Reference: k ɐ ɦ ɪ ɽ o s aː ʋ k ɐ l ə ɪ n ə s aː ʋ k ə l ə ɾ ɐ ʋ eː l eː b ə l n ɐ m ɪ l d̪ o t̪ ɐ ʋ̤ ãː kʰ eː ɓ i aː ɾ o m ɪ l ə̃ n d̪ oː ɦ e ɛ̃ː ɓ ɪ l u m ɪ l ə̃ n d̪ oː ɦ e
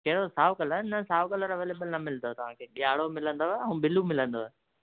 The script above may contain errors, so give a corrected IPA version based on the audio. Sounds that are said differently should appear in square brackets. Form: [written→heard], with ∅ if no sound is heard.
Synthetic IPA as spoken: k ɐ ɦ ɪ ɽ o s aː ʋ k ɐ l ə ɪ n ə s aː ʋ k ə l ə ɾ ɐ ʋ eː l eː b ə l n ɐ m ɪ l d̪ o t̪ ɐ ʋ̤ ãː kʰ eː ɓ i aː [ɾ→ɽ] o m ɪ l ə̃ n d̪ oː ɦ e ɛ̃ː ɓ ɪ l u m ɪ l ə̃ n d̪ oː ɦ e